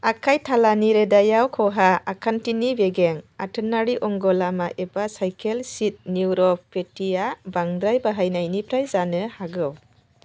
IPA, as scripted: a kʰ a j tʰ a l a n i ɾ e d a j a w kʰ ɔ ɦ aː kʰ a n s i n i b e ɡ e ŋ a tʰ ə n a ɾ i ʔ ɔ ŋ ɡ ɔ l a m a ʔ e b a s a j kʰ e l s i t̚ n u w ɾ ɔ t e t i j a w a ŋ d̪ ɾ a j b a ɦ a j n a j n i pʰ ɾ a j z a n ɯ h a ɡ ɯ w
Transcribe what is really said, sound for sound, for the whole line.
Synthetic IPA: a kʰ a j tʰ a l a n i ɾ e d a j a w kʰ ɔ ɦ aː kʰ a n t i n i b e ɡ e ŋ a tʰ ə n a ɾ i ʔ ɔ ŋ ɡ ɔ l a m a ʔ e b a s a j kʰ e l s i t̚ n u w ɾ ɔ p e t i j a b a ŋ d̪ ɾ a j b a ɦ a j n a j n i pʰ ɾ a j z a n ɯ h a ɡ ɯ w